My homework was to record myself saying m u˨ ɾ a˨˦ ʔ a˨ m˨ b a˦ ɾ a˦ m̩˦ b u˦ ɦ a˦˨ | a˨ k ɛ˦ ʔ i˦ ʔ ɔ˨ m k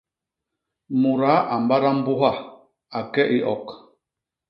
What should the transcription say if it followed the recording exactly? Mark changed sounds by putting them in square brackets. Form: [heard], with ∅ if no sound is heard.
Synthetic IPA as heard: m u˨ ɾ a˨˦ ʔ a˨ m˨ b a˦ ɾ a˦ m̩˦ b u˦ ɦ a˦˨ | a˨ k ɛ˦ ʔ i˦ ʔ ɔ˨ [∅] k